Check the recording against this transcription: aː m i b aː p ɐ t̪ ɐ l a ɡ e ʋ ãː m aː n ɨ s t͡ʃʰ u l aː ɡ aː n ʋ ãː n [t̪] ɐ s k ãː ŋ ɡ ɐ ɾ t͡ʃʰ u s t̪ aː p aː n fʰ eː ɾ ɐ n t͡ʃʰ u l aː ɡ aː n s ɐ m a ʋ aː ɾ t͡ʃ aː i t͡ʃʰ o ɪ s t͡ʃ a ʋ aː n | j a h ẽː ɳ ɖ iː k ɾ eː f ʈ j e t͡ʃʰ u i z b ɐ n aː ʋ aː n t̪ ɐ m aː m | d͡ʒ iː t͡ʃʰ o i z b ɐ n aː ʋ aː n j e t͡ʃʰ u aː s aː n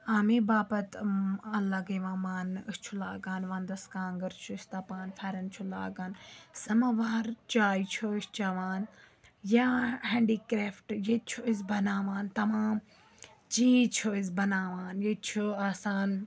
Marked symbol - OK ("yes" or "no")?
no